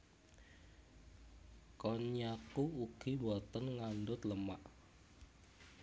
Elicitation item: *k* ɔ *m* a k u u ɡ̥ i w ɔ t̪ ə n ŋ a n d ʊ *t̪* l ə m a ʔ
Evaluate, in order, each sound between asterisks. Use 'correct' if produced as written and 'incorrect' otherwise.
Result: correct, incorrect, correct

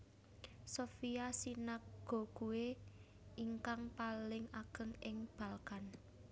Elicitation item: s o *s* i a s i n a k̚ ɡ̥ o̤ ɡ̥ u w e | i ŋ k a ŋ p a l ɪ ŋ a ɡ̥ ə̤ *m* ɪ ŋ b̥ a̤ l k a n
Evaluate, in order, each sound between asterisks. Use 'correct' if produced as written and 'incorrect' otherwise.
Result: incorrect, incorrect

